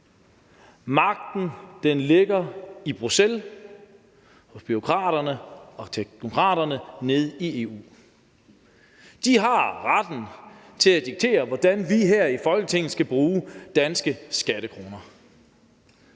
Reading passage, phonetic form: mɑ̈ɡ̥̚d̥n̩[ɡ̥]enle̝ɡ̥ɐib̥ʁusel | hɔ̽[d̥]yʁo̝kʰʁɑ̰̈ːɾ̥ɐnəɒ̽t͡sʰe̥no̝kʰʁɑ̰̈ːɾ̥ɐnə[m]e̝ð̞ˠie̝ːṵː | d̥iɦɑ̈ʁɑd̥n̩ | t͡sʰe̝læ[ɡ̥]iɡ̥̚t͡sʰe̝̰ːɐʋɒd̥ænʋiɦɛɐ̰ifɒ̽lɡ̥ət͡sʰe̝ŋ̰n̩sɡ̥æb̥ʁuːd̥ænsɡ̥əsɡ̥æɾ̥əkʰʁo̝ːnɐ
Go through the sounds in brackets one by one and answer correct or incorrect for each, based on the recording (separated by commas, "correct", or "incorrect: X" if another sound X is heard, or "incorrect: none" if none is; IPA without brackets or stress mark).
incorrect: d̥, incorrect: b̥, incorrect: n, incorrect: d̥